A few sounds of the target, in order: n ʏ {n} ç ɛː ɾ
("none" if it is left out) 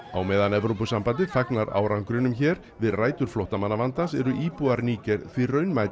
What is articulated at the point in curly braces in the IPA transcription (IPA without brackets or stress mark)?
m